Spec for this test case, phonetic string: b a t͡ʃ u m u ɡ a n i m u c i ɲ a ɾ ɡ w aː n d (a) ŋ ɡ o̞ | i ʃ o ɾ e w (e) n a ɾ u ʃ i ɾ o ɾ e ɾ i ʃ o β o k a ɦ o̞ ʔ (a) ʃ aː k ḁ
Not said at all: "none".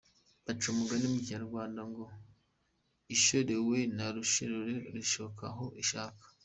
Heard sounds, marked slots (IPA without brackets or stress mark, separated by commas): a, e, i